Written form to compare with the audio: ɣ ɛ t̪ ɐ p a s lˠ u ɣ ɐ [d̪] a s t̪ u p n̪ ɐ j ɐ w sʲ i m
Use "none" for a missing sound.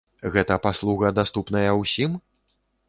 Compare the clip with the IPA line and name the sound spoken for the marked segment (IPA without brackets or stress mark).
d̪